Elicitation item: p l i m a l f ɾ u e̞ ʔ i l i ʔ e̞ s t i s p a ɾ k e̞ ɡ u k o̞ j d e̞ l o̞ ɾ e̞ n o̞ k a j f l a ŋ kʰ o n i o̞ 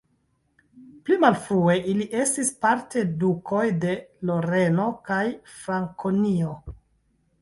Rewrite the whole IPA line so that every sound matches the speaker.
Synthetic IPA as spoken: p l i m a l f ɾ u e̞ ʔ i l i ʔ e̞ s t i s p a ɾ t e̞ d u k o̞ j d e̞ l o̞ ɾ e̞ n o̞ k a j f ɾ a ŋ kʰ o n i o̞